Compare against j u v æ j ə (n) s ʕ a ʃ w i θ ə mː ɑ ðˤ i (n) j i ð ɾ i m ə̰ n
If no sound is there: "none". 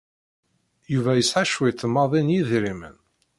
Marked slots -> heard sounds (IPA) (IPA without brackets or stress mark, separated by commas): none, n